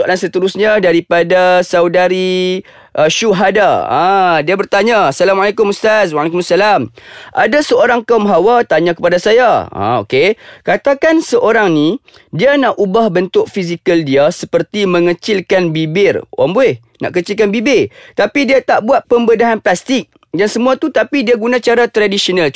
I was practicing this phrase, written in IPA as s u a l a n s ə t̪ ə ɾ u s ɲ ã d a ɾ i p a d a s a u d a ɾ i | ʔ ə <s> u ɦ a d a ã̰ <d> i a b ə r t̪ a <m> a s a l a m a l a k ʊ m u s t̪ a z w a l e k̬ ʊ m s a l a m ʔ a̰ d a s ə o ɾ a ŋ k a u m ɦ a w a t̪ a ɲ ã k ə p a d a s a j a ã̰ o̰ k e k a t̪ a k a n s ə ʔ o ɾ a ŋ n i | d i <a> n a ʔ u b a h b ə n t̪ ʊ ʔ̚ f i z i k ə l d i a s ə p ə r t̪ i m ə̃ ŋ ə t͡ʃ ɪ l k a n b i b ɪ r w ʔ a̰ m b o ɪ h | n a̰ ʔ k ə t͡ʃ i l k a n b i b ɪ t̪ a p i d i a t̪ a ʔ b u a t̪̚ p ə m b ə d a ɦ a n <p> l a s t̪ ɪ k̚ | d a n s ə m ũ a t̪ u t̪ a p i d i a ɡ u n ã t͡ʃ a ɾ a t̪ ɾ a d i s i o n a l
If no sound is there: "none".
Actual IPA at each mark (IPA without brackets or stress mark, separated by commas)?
ʃ, d, ɲ, a, p